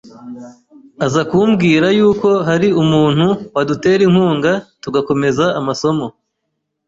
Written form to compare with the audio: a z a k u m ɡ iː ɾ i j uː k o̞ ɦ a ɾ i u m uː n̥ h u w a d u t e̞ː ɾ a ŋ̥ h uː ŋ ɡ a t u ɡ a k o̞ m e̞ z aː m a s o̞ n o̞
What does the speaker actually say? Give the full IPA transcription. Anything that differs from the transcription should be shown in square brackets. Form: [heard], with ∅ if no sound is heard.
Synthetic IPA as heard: a z a k u m ɡ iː ɾ [a] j uː k o̞ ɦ a ɾ i u m uː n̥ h u w a d u t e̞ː ɾ [i] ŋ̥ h uː ŋ ɡ a t u ɡ a k o̞ m e̞ z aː m a s o̞ [m] o̞